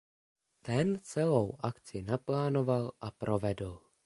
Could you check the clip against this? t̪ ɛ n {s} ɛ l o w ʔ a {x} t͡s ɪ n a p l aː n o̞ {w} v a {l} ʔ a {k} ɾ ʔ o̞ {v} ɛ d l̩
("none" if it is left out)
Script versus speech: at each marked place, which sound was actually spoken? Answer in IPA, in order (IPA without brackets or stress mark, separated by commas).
t͡s, k, none, l, p, v